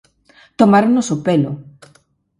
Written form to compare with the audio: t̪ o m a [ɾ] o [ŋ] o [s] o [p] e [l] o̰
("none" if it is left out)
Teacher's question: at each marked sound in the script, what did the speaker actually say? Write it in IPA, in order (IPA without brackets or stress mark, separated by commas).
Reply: ɾ, n, s, p, l